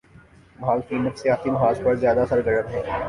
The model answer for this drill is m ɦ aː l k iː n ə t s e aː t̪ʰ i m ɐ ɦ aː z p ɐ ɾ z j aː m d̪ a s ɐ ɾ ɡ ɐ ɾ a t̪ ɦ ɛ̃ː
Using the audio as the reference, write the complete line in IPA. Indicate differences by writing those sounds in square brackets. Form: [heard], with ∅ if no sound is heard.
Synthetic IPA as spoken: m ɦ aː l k iː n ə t s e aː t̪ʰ i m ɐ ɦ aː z p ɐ ɾ z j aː [∅] d̪ a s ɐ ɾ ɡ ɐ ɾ [ə] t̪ ɦ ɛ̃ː